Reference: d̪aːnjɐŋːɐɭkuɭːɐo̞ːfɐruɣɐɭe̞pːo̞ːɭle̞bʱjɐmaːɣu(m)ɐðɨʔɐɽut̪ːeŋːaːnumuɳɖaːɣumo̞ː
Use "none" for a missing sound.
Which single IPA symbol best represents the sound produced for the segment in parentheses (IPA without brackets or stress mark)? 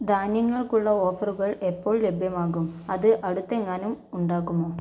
m